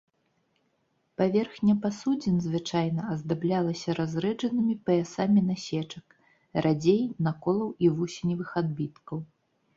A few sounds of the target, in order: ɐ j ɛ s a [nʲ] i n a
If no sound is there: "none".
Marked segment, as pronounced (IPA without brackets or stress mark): mʲ